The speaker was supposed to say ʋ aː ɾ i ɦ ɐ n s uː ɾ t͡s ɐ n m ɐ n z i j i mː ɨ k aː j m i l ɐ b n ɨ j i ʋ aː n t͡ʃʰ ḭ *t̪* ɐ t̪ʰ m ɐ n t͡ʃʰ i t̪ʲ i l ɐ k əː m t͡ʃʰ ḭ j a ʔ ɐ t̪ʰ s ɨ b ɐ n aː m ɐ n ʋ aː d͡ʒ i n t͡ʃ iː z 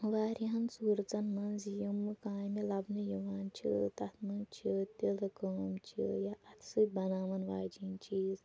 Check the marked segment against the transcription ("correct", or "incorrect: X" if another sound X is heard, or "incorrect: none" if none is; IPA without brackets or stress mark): correct